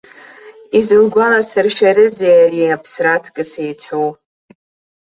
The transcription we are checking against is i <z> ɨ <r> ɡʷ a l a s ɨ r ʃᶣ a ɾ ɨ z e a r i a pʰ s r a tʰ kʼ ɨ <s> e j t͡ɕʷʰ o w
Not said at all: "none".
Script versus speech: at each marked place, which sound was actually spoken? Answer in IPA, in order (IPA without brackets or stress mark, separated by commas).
z, l, s